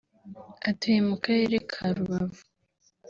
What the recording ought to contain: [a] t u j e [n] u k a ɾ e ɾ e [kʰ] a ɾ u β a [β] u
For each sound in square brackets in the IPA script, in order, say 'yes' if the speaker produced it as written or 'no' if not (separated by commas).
yes, no, yes, no